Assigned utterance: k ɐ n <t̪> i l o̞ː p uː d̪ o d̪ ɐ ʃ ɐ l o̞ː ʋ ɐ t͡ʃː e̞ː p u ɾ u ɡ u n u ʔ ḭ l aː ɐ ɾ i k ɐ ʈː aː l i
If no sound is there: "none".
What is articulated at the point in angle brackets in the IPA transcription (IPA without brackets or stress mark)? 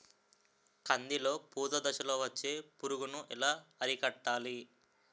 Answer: d̪